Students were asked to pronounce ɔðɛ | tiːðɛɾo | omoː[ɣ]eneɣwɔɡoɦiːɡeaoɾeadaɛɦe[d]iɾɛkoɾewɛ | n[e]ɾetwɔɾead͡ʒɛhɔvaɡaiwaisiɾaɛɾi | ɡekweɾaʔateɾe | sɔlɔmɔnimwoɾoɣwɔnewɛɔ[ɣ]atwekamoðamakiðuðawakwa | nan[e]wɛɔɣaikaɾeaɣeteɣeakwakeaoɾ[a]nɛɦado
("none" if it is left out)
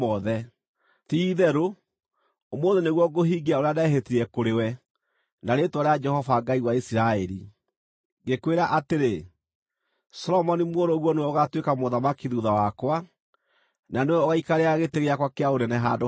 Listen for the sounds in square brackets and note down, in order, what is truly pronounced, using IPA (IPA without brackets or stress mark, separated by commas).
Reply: ð, t, a, ɣ, e, ɛ